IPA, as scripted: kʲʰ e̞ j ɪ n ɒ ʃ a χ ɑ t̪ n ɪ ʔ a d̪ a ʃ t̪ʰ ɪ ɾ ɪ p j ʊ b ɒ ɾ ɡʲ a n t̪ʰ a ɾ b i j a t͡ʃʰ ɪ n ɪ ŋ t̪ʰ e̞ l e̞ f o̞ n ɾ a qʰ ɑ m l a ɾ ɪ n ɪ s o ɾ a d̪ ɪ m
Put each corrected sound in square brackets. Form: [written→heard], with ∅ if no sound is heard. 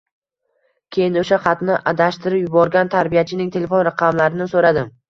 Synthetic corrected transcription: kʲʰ e̞ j ɪ n [ɒ→o] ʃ a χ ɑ t̪ n ɪ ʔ a d̪ a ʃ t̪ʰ ɪ ɾ ɪ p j ʊ b ɒ ɾ ɡʲ a n t̪ʰ a ɾ b i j a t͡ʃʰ ɪ n ɪ ŋ t̪ʰ e̞ l e̞ f o̞ n ɾ a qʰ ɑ m l a ɾ ɪ n ɪ s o ɾ a d̪ ɪ m